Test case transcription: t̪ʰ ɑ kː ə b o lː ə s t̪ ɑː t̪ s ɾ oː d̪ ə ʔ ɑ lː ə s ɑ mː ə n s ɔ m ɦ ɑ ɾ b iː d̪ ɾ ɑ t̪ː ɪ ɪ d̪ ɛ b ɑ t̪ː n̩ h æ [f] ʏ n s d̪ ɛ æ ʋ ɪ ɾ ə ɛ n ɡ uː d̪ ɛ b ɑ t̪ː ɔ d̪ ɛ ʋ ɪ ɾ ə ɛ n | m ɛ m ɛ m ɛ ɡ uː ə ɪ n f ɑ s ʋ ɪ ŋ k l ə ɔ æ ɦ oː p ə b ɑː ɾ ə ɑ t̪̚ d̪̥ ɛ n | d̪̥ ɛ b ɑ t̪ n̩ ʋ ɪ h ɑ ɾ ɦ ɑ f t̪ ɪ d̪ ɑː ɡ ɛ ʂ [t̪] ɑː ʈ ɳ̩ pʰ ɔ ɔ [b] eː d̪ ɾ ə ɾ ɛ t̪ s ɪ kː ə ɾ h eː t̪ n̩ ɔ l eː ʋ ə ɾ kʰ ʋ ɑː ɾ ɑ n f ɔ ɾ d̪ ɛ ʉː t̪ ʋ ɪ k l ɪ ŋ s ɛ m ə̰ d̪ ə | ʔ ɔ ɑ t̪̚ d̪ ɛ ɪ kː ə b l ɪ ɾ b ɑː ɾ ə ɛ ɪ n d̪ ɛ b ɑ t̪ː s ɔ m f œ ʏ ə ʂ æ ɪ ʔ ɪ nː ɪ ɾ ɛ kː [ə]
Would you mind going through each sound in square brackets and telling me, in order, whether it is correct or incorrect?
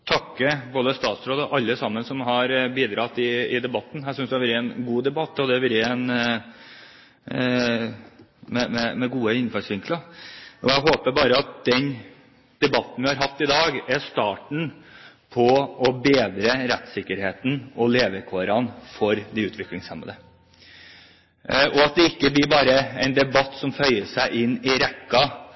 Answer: incorrect: s, correct, correct, incorrect: ɑ

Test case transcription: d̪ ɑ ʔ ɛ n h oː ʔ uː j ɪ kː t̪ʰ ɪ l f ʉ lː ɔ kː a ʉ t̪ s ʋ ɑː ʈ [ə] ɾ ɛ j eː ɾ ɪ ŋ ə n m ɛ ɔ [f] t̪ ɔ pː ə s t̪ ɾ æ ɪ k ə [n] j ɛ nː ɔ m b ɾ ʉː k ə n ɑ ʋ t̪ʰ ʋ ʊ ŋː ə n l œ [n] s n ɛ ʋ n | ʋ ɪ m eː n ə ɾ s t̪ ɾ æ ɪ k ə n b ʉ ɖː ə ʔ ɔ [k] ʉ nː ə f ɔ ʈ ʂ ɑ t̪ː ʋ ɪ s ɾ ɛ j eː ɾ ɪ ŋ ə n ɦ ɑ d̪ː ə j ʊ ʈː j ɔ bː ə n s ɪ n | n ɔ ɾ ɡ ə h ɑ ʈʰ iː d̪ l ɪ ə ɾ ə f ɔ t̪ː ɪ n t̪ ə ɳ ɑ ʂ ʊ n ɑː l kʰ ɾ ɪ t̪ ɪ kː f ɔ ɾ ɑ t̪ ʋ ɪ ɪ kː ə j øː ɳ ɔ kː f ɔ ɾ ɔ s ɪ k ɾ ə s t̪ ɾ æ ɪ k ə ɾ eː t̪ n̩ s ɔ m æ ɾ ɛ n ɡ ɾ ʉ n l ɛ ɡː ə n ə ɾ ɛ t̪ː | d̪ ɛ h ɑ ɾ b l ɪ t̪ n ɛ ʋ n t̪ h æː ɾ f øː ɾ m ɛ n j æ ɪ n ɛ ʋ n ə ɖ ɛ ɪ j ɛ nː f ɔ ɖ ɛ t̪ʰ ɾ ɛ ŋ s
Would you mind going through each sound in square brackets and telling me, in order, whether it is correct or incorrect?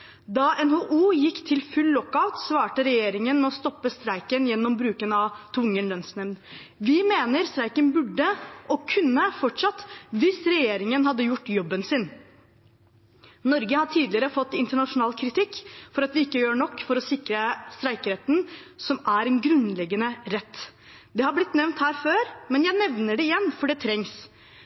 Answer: correct, incorrect: s, correct, correct, incorrect: kʰ

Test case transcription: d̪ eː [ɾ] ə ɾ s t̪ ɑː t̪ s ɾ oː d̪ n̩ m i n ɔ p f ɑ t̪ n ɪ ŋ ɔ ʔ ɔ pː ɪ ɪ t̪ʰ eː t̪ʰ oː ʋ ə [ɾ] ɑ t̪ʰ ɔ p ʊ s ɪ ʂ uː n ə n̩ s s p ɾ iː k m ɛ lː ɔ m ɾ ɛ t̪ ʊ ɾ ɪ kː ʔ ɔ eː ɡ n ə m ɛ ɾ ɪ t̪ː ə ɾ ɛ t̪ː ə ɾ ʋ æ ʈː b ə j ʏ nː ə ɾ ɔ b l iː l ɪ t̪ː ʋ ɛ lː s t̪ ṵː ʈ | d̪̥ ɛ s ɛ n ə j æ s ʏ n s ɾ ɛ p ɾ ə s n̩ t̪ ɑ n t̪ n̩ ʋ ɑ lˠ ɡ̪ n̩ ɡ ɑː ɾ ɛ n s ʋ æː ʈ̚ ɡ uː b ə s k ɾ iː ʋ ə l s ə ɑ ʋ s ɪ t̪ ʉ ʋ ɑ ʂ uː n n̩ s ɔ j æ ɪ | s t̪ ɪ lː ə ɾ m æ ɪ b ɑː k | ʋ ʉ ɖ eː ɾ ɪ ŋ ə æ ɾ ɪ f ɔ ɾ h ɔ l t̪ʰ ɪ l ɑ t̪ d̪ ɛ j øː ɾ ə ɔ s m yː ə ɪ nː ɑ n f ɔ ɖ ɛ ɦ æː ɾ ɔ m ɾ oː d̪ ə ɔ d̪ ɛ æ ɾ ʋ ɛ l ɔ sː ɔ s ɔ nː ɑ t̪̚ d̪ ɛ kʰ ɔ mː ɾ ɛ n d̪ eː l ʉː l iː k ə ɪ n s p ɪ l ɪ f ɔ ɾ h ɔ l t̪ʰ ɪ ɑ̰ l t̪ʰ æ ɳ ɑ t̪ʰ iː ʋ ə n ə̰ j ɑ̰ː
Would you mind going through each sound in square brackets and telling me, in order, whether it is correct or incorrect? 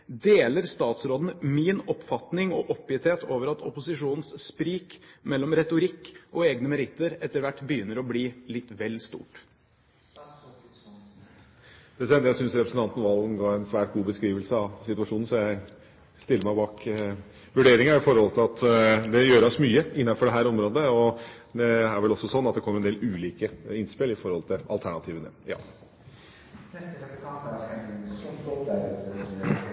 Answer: incorrect: l, correct

